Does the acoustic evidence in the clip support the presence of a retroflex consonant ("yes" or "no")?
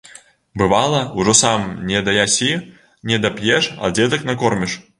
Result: yes